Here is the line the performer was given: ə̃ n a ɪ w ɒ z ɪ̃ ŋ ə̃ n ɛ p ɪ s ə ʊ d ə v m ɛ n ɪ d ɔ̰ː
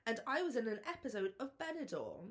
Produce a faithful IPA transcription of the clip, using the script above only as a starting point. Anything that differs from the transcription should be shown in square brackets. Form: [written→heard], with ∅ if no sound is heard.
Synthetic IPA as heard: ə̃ n a ɪ w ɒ z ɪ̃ [ŋ→n] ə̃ n ɛ p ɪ s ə ʊ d ə v [m→b] ɛ n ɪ d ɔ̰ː